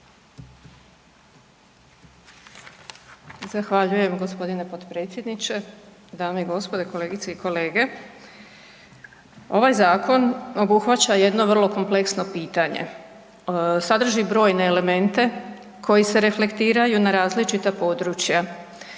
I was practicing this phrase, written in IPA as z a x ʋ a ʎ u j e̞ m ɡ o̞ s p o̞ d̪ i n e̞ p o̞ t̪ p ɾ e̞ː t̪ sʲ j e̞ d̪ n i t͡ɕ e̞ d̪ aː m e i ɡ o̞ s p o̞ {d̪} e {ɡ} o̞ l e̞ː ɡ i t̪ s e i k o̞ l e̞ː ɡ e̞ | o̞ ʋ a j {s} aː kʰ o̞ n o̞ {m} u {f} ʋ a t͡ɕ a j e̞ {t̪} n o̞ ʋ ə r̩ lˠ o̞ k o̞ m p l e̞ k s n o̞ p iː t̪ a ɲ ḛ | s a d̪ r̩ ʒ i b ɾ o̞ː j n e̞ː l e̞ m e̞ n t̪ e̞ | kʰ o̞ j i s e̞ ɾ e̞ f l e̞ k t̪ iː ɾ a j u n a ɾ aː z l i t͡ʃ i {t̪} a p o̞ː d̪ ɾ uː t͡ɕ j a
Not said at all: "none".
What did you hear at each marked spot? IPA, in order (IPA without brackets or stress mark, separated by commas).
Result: d̪, k, z, b, x, d̪, t̪